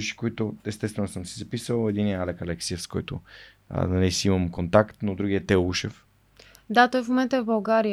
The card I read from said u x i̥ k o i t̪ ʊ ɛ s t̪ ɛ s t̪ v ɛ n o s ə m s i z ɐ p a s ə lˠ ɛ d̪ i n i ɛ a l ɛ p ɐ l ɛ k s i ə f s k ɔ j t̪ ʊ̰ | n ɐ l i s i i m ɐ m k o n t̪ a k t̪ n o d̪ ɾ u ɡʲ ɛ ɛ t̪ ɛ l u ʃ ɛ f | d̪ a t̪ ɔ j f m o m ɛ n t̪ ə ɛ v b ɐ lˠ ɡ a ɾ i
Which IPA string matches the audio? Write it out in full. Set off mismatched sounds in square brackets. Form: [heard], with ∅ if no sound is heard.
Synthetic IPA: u [ʃ] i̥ k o i t̪ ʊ ɛ s t̪ ɛ s t̪ v ɛ n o s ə m s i z ɐ p [i] s ə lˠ ɛ d̪ i n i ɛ a l ɛ [k] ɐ l ɛ k s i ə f s k ɔ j t̪ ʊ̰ | n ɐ l i s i i m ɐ m k o n t̪ a k t̪ n o d̪ ɾ u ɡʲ [i] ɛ t̪ ɛ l u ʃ ɛ f | d̪ a t̪ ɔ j f m o m ɛ n t̪ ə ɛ v b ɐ lˠ ɡ a ɾ i